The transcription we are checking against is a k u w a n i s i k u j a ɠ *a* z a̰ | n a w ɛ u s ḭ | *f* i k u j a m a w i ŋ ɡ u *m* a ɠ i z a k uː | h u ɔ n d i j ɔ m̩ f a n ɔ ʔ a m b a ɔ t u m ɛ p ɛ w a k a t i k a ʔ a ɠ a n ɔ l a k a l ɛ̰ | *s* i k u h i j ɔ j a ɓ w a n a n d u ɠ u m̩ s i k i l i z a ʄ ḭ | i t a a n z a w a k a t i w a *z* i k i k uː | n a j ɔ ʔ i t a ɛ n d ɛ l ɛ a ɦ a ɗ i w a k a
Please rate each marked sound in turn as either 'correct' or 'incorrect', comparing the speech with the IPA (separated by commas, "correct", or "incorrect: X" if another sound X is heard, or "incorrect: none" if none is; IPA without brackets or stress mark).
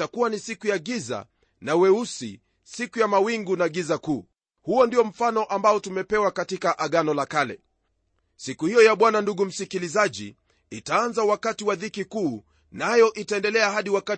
incorrect: i, incorrect: s, incorrect: n, correct, incorrect: ð